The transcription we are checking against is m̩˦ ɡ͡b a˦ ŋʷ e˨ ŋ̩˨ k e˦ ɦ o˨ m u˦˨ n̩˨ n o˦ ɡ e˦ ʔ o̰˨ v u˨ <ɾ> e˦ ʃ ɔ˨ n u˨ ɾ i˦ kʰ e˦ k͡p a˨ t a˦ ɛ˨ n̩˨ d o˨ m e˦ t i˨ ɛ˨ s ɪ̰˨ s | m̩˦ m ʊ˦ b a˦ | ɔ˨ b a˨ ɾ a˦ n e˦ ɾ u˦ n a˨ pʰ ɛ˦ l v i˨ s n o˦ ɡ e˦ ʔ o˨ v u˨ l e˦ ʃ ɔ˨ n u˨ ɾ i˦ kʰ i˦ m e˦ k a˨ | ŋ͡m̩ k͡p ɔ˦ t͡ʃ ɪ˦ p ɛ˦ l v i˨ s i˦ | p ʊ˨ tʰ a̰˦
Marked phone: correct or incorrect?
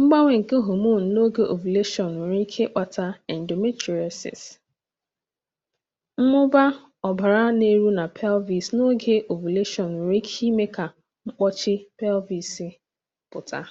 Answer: incorrect